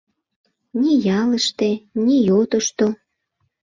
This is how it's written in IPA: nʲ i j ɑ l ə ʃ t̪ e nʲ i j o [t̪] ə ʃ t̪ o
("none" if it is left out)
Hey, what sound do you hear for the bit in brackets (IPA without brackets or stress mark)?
t̪